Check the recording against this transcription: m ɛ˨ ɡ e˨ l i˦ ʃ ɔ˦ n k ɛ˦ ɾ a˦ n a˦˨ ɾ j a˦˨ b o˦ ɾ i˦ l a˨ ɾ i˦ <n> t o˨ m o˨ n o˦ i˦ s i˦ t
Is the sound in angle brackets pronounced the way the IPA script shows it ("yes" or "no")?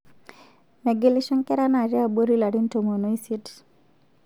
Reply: yes